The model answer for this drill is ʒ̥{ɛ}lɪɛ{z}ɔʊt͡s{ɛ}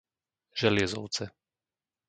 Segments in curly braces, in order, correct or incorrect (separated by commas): correct, correct, correct